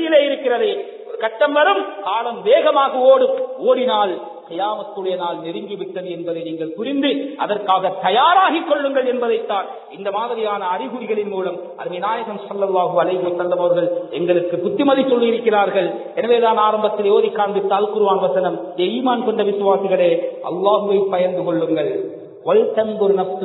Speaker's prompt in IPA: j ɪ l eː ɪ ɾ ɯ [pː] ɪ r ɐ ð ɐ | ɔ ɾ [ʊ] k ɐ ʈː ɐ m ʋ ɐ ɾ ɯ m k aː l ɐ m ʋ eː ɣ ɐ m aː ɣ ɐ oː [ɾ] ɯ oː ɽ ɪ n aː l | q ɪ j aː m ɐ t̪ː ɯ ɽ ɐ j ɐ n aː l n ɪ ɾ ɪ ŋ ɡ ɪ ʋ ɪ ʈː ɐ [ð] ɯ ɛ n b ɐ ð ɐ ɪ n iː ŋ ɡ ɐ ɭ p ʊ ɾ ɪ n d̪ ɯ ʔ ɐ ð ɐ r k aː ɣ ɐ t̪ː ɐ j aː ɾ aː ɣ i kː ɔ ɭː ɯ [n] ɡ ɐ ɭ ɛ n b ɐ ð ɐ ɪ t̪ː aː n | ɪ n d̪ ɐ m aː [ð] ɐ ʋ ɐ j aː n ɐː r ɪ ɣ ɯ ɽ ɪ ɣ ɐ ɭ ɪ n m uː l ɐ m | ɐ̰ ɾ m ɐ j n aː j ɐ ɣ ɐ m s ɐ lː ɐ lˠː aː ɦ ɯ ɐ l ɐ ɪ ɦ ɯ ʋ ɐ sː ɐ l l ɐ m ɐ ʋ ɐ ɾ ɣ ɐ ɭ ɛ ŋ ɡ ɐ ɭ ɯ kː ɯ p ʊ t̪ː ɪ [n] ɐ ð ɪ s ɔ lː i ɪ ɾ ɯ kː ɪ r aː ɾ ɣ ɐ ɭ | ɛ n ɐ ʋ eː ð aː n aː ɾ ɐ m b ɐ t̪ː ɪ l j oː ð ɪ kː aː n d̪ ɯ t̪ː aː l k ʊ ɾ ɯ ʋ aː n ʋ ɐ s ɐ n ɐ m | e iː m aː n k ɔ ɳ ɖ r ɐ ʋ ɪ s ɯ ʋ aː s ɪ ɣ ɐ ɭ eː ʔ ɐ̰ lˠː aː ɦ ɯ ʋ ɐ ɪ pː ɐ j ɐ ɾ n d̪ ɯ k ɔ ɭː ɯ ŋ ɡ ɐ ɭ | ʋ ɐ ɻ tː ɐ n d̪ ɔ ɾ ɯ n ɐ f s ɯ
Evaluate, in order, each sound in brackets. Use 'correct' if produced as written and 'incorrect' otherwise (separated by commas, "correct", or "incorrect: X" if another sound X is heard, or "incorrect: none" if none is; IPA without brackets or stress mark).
incorrect: kː, incorrect: ɯ, incorrect: ɽ, correct, incorrect: ŋ, correct, incorrect: m